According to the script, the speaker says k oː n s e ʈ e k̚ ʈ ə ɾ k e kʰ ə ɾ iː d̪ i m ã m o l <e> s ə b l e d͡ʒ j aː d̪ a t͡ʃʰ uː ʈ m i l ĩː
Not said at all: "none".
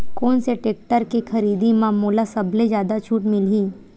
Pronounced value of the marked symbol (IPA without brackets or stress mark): a